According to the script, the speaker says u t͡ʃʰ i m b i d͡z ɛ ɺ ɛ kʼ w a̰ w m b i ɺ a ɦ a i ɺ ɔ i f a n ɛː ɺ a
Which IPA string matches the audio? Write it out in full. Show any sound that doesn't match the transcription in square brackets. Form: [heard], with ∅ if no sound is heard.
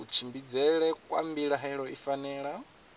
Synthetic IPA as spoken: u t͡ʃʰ i m b i d͡z ɛ ɺ ɛ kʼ w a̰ [∅] m b i ɺ a ɦ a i ɺ ɔ i f a n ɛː ɺ a